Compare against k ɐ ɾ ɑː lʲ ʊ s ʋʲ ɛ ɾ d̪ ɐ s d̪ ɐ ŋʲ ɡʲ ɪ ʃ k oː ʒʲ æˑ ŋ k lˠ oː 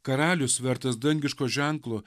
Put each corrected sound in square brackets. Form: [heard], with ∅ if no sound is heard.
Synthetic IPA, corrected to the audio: k ɐ ɾ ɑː lʲ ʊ s ʋʲ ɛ ɾ [t̪] ɐ s d̪ ɐ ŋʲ ɡʲ ɪ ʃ k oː ʒʲ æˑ ŋ k lˠ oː